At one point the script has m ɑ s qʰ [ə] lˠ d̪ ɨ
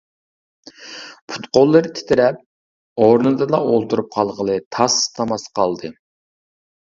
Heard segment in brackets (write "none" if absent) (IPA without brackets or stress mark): ɑ